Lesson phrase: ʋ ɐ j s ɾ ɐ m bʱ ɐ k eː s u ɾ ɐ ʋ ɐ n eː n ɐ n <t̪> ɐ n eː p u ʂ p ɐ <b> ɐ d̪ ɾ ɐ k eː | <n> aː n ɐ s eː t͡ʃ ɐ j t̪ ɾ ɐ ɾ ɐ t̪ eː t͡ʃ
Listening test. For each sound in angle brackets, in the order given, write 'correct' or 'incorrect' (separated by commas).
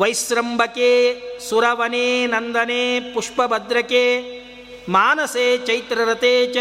incorrect, correct, incorrect